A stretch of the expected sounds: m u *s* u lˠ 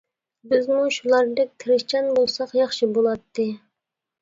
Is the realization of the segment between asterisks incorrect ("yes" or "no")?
yes